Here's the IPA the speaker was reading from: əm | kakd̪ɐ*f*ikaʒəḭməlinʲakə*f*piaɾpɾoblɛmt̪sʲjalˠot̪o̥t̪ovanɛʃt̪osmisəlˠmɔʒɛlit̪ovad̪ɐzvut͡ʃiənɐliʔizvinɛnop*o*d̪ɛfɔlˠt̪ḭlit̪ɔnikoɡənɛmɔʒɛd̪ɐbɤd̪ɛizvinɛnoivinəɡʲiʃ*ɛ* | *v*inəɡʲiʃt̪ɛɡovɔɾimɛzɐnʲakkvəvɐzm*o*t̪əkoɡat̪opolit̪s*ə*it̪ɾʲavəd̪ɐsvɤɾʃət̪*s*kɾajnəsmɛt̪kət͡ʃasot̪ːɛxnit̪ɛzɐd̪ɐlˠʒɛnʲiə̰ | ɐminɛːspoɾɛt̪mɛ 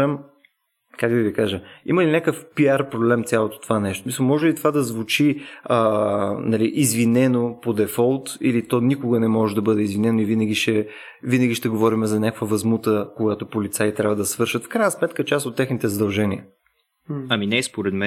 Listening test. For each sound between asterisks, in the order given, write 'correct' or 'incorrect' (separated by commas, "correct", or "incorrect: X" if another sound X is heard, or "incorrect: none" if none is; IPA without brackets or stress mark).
incorrect: v, correct, correct, correct, correct, incorrect: u, incorrect: a, incorrect: f